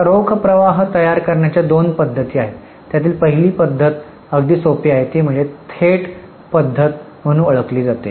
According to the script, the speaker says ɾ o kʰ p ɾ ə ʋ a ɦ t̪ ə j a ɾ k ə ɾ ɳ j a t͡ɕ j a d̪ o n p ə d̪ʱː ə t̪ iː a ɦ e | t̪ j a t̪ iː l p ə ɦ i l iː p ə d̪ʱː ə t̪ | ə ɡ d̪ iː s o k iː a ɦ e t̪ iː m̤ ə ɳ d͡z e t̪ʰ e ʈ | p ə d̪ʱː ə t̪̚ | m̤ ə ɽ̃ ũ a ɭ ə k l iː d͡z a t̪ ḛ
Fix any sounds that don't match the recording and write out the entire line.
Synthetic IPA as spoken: ɾ o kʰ p ɾ ə ʋ a ɦ t̪ ə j a ɾ k ə ɾ ɳ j a t͡ɕ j a d̪ o n p ə d̪ʱː ə t̪ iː a ɦ e | t̪ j a t̪ iː l p ə ɦ i l iː p ə d̪ʱː ə t̪ | ə ɡ d̪ iː s o p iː a ɦ e t̪ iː m̤ ə ɳ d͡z e t̪ʰ e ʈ | p ə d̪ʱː ə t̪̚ | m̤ ə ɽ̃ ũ ə ɭ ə k l iː d͡z a t̪ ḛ